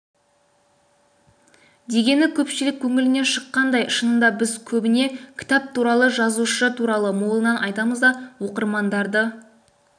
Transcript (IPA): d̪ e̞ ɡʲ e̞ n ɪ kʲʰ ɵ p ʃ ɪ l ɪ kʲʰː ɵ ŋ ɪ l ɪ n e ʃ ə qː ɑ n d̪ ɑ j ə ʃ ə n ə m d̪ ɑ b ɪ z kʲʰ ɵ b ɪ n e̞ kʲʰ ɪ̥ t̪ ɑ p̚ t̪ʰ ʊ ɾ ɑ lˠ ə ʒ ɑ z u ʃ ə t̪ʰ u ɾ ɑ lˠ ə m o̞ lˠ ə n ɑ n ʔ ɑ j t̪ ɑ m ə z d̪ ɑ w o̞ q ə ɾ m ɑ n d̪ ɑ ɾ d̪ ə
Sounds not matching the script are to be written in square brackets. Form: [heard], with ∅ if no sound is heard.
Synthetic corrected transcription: d̪ e̞ ɡʲ e̞ n ɪ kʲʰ ɵ p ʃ ɪ l ɪ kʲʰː ɵ ŋ ɪ l ɪ n e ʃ ə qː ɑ n d̪ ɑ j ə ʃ ə n ə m d̪ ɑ b ɪ z kʲʰ ɵ b ɪ n e̞ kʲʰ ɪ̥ t̪ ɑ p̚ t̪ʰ [u] ɾ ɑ lˠ ə ʒ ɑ z u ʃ ə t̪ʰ u ɾ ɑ lˠ ə m o̞ lˠ ə n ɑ n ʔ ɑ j t̪ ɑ m ə z d̪ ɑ w o̞ q ə ɾ m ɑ n d̪ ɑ ɾ d̪ ə